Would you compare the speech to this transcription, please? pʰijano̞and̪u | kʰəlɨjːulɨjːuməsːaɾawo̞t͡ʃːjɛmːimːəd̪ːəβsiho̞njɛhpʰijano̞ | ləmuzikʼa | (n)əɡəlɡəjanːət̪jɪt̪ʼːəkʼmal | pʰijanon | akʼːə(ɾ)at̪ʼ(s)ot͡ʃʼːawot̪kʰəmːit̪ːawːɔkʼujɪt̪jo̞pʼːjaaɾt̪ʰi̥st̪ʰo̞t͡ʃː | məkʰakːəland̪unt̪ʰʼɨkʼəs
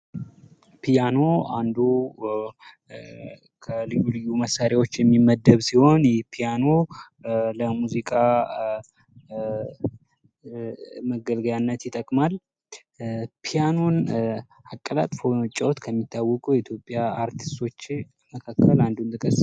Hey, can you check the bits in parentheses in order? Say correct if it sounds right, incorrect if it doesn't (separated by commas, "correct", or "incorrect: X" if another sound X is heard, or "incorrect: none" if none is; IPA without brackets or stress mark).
incorrect: m, incorrect: l, incorrect: f